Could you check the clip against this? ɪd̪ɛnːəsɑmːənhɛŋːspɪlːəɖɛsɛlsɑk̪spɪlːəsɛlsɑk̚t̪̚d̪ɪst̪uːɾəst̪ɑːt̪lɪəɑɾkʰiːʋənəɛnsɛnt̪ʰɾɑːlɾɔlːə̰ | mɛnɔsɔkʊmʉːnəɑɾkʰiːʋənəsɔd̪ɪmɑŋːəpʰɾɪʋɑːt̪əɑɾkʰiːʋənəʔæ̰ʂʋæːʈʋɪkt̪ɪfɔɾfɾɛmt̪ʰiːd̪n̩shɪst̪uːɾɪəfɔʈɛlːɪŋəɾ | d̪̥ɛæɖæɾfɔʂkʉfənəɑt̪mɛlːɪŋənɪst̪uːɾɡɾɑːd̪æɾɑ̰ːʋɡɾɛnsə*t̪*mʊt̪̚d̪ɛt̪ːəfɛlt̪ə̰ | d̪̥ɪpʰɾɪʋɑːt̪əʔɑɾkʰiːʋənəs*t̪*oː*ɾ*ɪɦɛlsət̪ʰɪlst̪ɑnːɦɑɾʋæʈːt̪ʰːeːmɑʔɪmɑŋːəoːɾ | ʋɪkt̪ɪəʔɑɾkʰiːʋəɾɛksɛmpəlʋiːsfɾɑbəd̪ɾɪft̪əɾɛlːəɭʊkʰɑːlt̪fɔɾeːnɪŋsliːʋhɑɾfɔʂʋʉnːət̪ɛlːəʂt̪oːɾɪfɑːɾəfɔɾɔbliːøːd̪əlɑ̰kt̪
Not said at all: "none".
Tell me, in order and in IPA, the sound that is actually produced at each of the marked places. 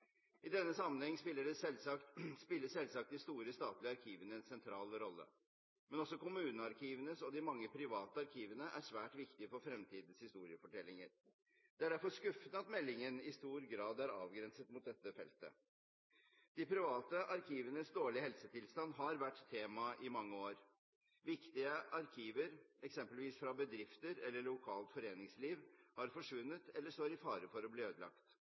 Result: t̪, d̪, ɭ

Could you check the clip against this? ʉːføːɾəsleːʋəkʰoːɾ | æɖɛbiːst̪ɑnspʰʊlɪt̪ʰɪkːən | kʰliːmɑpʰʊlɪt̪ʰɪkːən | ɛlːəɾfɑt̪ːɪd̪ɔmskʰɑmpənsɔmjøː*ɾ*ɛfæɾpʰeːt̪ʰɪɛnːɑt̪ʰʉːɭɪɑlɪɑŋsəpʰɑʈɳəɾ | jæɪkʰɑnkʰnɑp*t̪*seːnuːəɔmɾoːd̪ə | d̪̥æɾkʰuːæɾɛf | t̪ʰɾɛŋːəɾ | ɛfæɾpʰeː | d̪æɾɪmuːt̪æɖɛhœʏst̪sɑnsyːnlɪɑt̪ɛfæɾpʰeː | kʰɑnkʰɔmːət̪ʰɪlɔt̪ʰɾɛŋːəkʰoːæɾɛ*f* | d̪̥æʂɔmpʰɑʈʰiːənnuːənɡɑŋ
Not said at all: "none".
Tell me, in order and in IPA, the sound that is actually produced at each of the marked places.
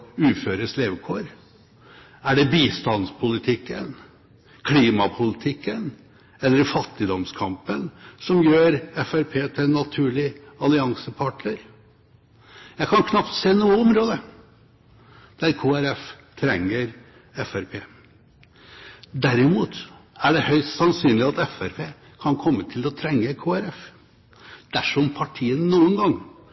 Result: ɾ, t̪, f

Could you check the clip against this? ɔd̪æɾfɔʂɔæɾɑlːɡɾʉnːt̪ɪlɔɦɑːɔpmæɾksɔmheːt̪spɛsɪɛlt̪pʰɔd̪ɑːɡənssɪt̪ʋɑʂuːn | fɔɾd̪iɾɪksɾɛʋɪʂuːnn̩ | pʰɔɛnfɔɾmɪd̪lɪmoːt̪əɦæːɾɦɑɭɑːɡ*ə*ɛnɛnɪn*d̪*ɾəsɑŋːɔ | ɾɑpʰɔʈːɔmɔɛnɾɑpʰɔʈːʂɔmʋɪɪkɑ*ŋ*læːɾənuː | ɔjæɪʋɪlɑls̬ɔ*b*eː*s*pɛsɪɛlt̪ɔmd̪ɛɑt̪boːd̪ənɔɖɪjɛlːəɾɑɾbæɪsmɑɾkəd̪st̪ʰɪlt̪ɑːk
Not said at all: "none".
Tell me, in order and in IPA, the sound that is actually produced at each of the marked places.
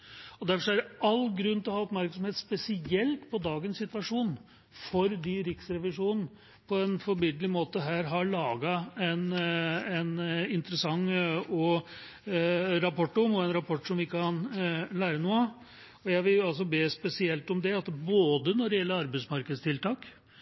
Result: ɑ, t̪, n, b, s

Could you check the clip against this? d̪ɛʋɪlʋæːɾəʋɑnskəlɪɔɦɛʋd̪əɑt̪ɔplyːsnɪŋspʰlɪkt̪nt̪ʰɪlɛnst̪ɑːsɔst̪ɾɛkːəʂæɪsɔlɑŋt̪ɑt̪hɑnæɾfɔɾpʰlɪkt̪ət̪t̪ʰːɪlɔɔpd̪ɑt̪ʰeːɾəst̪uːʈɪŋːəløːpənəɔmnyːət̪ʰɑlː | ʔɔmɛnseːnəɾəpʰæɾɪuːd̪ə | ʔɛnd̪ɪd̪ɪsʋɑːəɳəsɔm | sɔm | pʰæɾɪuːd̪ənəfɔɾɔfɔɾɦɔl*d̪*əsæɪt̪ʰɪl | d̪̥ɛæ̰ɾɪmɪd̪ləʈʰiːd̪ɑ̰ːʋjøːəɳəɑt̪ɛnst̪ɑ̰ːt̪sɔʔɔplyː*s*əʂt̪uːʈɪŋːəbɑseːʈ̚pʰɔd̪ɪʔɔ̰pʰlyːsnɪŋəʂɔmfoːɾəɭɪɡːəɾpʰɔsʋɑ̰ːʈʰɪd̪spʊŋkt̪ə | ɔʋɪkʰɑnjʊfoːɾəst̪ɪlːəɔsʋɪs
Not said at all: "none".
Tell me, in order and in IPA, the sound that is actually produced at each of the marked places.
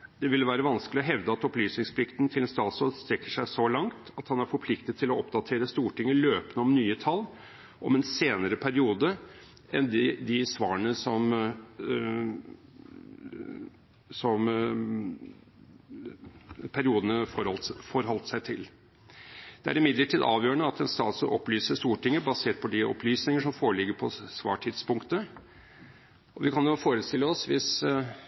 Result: t̪, s

